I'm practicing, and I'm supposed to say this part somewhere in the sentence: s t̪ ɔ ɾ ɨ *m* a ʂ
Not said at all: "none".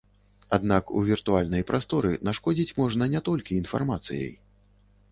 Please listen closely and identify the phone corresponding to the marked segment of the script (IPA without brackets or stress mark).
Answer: n